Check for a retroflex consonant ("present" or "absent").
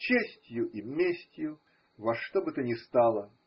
present